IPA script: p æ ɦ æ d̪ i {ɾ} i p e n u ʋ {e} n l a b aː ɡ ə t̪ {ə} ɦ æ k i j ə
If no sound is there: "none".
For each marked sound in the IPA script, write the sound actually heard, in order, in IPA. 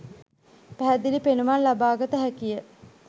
l, a, ə

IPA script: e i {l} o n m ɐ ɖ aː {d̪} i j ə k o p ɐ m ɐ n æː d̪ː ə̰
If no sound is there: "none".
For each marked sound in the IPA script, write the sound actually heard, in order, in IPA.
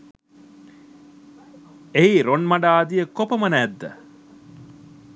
ɾ, d̪

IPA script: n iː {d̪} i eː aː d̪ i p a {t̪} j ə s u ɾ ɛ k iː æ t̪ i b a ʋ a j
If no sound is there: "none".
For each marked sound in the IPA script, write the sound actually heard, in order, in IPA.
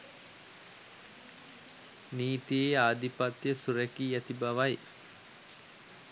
t̪, t̪

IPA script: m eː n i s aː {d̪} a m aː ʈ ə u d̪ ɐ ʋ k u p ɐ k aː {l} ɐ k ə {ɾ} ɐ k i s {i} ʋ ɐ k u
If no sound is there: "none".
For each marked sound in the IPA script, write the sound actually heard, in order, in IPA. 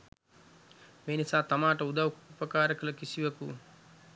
t̪, ɾ, l, i

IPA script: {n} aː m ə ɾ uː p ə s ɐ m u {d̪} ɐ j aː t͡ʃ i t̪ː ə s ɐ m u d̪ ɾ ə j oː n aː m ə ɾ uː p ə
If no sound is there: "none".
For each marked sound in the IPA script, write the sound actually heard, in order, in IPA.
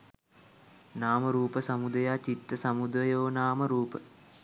n, d̪

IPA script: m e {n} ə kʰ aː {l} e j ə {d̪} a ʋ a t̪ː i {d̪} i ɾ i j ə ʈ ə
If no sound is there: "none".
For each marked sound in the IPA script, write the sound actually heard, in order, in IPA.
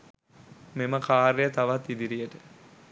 m, ɾ, t̪, d̪

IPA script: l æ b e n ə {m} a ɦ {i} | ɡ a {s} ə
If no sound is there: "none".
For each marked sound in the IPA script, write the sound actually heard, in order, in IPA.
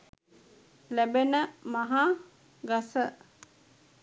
m, a, s

